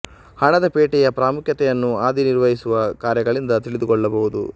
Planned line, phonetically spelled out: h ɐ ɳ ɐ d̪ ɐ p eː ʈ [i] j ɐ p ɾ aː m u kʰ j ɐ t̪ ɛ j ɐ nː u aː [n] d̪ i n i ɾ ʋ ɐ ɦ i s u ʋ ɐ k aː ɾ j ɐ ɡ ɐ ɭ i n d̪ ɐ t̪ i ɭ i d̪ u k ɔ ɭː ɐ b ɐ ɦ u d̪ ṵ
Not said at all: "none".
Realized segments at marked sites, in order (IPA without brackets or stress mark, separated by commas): ɛ, none